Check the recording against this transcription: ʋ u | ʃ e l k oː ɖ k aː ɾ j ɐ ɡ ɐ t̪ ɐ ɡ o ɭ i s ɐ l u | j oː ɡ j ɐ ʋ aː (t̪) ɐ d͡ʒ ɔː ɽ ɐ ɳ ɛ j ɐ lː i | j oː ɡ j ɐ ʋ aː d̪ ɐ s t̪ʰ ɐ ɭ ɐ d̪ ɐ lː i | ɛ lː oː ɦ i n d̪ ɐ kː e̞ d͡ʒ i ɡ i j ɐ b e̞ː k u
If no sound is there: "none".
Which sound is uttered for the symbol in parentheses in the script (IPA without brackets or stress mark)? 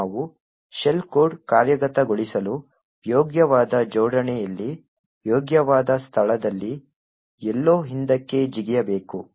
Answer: d̪